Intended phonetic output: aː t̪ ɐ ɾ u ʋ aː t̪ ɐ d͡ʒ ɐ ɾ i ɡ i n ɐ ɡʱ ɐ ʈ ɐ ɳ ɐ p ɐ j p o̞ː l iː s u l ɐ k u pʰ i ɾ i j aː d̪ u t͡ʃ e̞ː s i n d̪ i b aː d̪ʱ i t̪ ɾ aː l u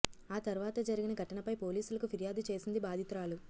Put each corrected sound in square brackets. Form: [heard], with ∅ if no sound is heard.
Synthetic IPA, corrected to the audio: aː t̪ ɐ ɾ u ʋ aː t̪ ɐ d͡ʒ ɐ ɾ i ɡ i n ɐ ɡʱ ɐ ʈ ɐ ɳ ɐ p ɐ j p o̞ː l iː s u l ɐ k u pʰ i ɾ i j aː d̪ u t͡ʃ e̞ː s i n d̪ i b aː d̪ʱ i t̪ ɾ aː l u